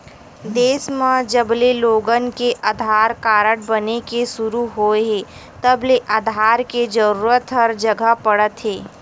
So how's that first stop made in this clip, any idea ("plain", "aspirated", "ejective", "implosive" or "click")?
plain